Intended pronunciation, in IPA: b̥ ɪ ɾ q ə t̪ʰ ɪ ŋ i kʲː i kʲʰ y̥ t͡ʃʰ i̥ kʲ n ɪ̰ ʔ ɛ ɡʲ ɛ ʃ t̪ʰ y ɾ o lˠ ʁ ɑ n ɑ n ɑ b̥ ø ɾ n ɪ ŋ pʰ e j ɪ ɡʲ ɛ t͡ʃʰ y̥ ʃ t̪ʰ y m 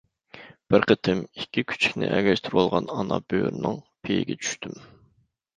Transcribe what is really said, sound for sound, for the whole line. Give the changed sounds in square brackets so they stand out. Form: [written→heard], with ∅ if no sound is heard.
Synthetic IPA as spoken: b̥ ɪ ɾ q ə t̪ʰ ɪ [ŋ→m] i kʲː i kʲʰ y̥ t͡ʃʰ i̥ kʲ n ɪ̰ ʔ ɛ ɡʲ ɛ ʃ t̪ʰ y ɾ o lˠ ʁ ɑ n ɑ n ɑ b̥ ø ɾ n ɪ ŋ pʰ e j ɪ ɡʲ ɛ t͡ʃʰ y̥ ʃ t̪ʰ y m